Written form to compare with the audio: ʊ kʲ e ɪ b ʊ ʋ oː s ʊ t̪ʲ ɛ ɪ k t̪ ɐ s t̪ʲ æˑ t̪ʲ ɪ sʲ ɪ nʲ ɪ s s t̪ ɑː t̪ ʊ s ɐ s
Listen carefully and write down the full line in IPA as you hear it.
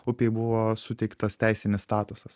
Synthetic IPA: ʊ pʲ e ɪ b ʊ ʋ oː s ʊ t̪ʲ ɛ ɪ k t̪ ɐ s t̪ʲ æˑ ɪ sʲ ɪ nʲ ɪ s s t̪ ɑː t̪ ʊ s ɐ s